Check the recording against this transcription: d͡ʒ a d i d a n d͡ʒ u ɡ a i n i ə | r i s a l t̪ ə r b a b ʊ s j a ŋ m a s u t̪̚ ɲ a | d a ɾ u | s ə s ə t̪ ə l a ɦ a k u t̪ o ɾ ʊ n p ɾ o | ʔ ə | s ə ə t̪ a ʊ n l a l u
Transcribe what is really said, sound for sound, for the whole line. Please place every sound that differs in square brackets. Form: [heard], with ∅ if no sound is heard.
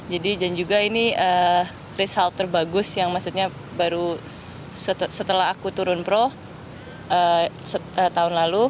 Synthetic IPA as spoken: d͡ʒ a d i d a n d͡ʒ u ɡ a i n i ə | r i s a l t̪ ə r b a [ɡ] ʊ s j a ŋ m a s u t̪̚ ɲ a | [b] a ɾ u | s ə s ə t̪ ə l a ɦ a k u t̪ [u] ɾ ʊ n p ɾ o | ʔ ə | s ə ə t̪ a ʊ n l a l u